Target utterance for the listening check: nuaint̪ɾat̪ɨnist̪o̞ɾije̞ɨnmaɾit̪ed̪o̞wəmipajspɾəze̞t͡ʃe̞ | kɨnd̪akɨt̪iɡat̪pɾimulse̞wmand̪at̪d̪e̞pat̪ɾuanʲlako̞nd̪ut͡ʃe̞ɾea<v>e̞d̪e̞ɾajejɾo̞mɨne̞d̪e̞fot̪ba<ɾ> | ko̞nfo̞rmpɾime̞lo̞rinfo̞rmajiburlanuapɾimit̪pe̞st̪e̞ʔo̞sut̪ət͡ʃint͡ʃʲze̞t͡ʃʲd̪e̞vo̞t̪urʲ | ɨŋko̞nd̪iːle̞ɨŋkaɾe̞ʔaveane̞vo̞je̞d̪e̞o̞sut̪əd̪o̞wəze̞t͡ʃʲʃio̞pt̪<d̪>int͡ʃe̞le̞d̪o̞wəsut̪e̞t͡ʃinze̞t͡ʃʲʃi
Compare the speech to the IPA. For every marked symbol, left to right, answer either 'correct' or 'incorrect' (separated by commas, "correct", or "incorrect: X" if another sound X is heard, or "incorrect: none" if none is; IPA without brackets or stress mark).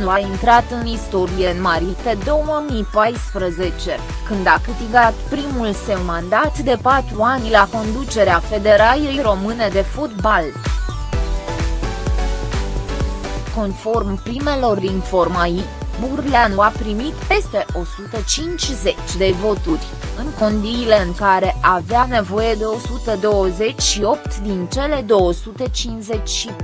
incorrect: f, incorrect: l, correct